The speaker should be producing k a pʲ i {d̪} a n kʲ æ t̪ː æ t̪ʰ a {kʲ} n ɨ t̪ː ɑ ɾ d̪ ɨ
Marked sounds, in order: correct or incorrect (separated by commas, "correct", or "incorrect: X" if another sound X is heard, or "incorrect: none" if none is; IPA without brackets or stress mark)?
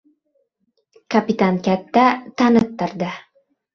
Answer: incorrect: t̪, incorrect: none